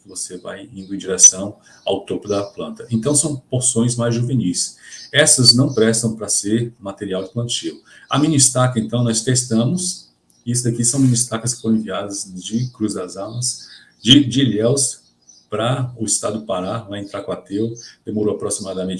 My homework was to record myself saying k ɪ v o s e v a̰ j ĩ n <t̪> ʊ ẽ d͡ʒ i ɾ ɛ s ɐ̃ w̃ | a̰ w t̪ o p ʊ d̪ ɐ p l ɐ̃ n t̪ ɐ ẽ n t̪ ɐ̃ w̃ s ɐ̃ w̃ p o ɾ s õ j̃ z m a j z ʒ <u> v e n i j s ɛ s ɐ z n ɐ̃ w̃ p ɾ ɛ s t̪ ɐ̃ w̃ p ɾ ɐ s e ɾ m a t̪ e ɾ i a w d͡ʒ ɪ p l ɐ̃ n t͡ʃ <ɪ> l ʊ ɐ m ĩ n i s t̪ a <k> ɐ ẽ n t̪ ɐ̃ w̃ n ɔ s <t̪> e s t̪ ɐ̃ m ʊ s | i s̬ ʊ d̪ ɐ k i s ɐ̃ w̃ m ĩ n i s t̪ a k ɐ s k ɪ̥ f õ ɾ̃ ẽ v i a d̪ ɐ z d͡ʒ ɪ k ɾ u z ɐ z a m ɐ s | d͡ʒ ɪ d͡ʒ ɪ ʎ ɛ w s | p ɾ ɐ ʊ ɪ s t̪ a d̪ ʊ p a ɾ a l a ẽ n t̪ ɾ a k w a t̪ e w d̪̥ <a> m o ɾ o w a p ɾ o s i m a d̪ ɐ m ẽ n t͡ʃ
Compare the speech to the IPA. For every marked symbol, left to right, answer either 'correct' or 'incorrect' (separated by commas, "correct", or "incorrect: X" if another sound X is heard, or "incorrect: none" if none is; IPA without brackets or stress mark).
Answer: incorrect: d̪, correct, incorrect: i, correct, correct, incorrect: e